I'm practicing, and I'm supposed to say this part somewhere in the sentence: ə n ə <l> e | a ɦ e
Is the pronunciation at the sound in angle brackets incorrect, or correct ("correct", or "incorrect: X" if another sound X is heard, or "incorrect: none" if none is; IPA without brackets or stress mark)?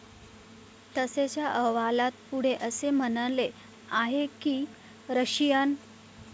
correct